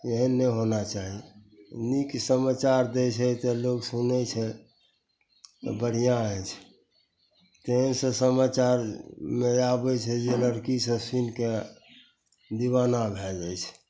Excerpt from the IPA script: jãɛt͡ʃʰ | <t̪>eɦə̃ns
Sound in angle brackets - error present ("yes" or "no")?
no